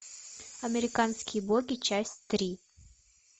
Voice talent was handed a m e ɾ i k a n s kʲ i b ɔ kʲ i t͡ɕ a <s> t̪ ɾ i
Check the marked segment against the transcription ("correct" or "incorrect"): correct